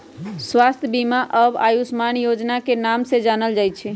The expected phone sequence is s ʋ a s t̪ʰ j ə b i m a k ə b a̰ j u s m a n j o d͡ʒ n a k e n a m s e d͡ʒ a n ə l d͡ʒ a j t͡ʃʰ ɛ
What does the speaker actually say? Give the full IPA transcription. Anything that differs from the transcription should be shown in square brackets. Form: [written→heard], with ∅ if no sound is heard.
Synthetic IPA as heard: s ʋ a s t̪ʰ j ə b i m a [k→ʔ] ə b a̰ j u s m a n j o d͡ʒ n a k e n a m s e d͡ʒ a n ə l d͡ʒ a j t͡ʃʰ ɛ

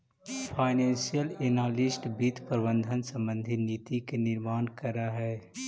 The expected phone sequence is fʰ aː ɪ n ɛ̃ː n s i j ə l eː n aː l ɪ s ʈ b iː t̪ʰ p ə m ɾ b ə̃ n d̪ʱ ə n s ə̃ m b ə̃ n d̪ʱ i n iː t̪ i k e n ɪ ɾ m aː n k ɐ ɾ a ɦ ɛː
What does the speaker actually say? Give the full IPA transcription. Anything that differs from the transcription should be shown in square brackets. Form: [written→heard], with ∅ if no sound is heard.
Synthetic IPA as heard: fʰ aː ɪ n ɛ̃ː n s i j ə l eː n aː l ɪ s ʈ b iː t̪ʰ p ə [m→∅] ɾ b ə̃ n d̪ʱ ə n s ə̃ m b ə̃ n d̪ʱ i n iː t̪ i k e n ɪ ɾ m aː n k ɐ ɾ a ɦ ɛː

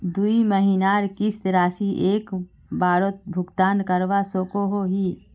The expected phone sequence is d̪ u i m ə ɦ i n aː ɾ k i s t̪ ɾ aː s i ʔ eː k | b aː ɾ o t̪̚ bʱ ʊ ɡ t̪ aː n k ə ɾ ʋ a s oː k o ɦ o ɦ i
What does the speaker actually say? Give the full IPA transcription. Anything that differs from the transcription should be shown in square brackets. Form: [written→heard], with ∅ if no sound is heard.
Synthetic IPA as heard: d̪ u i m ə ɦ i n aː ɾ k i s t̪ ɾ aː s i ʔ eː k | b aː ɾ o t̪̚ bʱ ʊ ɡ t̪ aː n k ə ɾ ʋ a s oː k o ɦ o ɦ i

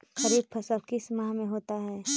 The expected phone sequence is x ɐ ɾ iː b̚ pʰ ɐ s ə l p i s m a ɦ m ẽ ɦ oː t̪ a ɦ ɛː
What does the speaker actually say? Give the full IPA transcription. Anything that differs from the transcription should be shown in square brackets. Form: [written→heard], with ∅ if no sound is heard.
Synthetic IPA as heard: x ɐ ɾ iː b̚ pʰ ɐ s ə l [p→k] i s m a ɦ m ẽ ɦ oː t̪ a ɦ ɛː

